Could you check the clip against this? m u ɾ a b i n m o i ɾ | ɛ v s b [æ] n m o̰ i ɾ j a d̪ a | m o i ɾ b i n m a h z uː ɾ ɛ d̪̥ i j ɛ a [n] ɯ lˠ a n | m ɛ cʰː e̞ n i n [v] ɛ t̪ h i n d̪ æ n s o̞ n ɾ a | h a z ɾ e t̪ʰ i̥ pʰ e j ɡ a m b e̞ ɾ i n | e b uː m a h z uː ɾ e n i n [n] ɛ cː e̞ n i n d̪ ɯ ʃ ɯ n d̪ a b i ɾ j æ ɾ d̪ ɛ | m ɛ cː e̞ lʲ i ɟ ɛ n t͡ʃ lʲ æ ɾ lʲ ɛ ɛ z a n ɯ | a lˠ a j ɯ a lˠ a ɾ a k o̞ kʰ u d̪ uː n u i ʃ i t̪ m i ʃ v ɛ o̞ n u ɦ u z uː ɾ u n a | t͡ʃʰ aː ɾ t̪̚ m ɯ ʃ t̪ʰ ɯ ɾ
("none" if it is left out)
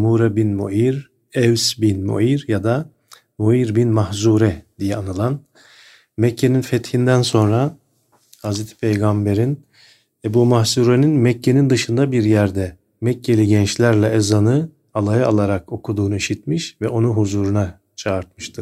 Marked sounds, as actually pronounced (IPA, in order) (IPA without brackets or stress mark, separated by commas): i, n, f, m